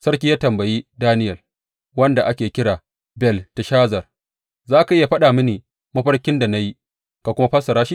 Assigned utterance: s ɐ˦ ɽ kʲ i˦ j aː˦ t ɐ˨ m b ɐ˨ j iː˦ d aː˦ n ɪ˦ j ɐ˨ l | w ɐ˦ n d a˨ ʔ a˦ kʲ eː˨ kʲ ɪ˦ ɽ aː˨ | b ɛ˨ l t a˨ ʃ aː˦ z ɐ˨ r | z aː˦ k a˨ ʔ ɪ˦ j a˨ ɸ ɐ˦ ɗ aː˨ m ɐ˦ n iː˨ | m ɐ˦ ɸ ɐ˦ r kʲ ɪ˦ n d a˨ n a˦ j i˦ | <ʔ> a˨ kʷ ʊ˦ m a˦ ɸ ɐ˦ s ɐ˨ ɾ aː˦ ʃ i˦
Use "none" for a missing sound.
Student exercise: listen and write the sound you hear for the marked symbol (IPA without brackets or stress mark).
k